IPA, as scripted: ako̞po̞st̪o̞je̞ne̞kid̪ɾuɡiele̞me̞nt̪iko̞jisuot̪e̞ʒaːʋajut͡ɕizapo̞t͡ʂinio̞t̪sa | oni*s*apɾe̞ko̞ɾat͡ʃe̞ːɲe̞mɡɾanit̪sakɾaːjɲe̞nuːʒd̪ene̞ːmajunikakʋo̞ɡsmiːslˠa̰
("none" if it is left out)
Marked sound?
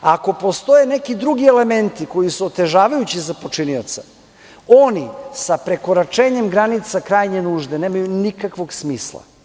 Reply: s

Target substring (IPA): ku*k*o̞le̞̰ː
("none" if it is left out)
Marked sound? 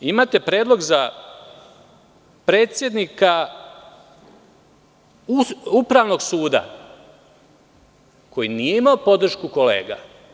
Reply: k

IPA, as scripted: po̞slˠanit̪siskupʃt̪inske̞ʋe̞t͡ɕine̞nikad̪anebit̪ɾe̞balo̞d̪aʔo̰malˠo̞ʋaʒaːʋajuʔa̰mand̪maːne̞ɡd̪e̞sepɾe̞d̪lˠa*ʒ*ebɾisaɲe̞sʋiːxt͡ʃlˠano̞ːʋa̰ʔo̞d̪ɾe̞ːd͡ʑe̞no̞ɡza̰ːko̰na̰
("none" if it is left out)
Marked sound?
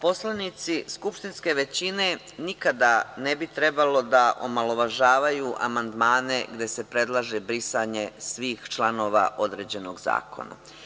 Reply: ʒ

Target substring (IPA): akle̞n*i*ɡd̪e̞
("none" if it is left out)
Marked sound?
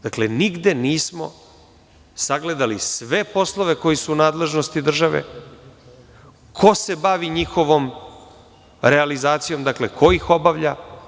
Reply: i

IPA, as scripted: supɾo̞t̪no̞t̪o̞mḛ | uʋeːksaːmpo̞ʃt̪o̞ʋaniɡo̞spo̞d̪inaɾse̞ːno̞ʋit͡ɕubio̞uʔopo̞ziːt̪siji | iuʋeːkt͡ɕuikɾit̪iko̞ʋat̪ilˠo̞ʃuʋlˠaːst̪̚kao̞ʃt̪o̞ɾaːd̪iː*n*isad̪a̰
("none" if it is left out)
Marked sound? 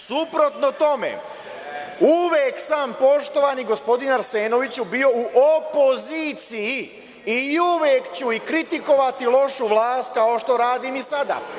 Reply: m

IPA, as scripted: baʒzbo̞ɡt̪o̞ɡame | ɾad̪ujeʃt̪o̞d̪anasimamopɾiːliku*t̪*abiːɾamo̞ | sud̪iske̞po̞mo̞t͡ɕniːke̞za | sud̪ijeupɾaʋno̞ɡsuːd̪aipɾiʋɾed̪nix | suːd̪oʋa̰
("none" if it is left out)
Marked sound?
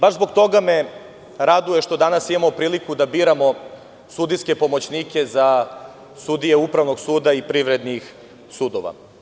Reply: d̪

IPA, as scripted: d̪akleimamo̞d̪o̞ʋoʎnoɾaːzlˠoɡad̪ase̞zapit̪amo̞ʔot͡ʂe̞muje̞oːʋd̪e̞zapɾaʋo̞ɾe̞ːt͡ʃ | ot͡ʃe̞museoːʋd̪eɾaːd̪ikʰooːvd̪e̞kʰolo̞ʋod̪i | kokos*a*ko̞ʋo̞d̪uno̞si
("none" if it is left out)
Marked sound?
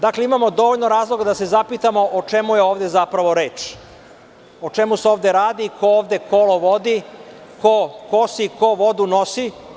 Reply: i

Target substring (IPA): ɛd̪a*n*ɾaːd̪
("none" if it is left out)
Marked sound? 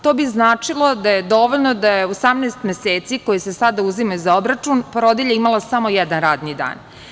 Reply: n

